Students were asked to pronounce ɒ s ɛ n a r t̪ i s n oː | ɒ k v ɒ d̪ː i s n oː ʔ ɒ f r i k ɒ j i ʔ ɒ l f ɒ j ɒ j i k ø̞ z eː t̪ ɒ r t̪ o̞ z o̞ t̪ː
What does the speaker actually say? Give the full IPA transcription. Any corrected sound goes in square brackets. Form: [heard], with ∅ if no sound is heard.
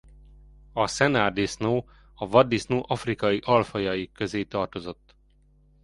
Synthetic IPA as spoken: ɒ s ɛ n a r [d̪] i s n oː | ɒ [∅] v ɒ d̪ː i s n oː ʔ ɒ f r i k ɒ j i ʔ ɒ l f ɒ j ɒ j i k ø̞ z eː t̪ ɒ r t̪ o̞ z o̞ t̪ː